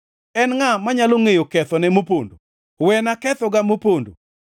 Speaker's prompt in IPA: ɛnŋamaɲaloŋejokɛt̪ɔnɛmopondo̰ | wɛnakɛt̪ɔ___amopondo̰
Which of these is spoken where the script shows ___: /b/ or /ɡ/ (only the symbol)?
ɡ